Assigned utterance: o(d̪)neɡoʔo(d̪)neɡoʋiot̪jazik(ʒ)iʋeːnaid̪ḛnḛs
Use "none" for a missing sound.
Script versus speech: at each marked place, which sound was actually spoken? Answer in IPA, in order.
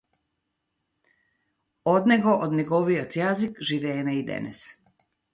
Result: d̪, d̪, ʒ

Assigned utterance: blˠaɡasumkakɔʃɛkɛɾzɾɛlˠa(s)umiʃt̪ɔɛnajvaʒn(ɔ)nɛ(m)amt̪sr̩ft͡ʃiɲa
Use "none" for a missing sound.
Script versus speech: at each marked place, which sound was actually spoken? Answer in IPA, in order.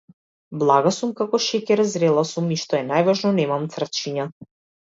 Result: s, ɔ, m

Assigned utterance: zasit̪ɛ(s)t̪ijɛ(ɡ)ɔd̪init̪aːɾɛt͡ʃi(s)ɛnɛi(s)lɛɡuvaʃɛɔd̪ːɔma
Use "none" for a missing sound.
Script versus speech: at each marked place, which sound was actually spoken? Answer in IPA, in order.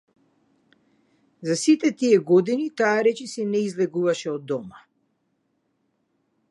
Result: none, ɡ, s, z

